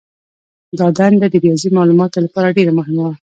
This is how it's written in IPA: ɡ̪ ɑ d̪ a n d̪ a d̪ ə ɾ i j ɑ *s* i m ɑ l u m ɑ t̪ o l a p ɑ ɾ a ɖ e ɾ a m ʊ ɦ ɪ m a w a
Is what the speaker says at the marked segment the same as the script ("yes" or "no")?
no